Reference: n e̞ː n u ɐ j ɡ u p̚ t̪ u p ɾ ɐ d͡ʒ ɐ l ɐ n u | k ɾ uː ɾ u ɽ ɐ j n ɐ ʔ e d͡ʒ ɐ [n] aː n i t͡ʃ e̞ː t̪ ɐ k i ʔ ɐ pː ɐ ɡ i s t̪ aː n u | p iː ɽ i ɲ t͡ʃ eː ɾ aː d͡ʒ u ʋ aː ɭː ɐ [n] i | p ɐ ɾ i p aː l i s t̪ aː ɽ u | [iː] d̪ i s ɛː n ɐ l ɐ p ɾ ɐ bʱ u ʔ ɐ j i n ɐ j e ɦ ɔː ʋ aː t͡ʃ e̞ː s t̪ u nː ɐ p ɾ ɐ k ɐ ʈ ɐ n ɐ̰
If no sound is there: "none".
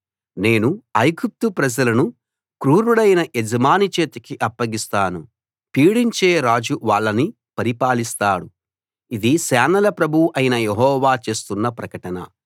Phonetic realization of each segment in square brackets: m, n, i

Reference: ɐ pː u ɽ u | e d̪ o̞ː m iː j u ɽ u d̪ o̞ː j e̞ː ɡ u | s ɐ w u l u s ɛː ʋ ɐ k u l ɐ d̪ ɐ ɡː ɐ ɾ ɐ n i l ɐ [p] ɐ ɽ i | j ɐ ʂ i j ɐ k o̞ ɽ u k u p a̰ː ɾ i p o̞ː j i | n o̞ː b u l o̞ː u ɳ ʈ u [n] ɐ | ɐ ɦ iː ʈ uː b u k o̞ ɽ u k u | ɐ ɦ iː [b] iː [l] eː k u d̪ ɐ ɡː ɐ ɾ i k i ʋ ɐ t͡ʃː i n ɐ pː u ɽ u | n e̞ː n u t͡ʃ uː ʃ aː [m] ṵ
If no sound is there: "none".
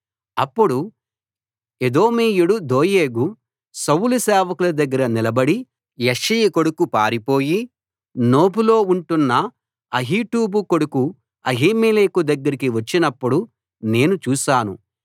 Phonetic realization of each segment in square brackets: b, nː, m, l, n

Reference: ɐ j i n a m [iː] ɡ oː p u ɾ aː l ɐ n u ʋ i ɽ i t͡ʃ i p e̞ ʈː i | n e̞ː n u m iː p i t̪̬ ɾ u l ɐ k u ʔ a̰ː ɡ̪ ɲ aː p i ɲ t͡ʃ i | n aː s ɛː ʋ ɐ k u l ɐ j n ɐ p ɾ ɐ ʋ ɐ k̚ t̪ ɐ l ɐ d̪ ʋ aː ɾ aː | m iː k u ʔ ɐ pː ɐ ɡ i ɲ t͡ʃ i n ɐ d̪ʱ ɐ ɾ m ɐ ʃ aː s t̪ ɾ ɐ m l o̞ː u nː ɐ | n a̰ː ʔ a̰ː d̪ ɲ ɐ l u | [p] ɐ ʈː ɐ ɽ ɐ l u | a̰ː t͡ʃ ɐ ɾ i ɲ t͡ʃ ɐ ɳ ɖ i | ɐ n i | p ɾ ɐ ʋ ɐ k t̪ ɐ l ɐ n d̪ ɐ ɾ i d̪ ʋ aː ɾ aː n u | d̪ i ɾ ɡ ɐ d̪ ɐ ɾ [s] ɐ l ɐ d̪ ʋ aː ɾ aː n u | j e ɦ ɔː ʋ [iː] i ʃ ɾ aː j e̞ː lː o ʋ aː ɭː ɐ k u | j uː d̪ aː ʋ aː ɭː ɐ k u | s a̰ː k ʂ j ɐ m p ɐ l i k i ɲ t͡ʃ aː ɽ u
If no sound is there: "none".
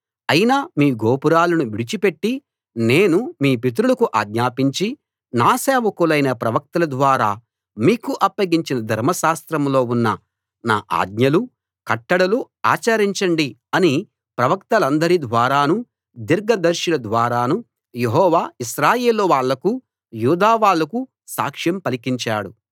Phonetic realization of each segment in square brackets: iː, k, ʃ, aː

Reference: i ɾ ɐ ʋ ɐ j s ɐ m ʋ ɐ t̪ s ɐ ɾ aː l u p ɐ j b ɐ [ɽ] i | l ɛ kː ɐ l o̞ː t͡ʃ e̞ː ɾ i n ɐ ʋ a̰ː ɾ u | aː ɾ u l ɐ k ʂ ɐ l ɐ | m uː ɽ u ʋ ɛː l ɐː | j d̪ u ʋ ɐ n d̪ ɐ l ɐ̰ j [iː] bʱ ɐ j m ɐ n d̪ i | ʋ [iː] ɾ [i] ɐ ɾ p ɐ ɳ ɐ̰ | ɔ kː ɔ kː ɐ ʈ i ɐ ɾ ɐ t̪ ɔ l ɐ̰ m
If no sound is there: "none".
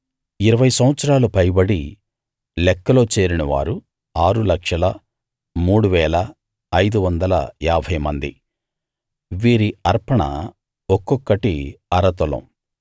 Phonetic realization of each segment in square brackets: ɽ, aː, iː, i

